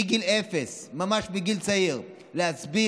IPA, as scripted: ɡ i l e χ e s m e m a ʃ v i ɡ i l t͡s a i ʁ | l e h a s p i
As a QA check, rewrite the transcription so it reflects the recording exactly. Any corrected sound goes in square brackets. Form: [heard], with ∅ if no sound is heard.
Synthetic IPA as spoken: ɡ i l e [f] e s m [a] m a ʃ [b] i ɡ i l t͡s a i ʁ | l e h a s [b] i